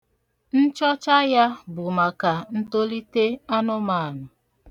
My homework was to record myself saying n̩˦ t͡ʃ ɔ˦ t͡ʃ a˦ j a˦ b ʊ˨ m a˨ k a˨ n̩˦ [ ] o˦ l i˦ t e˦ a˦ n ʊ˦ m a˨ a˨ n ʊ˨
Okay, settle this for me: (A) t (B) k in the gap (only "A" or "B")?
A